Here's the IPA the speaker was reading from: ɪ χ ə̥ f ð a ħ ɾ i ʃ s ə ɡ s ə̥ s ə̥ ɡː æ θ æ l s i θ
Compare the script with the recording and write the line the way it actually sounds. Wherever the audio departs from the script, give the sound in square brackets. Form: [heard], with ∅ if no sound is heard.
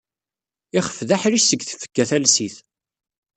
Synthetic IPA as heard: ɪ χ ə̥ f ð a ħ ɾ i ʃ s ə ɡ [θ] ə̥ [f] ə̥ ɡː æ θ æ l s i θ